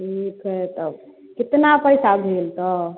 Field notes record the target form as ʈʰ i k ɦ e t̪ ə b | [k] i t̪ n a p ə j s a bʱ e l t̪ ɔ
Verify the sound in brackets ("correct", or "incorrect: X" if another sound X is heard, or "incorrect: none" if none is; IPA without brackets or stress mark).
correct